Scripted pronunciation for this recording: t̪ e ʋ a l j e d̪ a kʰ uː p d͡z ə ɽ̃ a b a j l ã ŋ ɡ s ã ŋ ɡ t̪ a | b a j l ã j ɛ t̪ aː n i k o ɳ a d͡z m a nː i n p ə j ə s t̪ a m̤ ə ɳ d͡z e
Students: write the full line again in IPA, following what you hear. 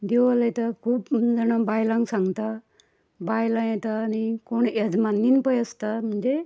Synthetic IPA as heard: d̪ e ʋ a l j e t̪ a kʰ uː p d͡z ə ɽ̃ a b a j l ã ŋ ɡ s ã ŋ ɡ t̪ a | b a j l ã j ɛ t̪ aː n i k o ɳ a d͡z m a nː i n p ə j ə s t̪ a m̤ ə ɳ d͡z e